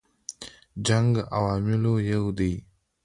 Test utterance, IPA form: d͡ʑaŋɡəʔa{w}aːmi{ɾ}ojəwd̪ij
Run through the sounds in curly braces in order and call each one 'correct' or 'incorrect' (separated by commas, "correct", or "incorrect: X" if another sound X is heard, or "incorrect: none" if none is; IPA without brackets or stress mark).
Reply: correct, incorrect: l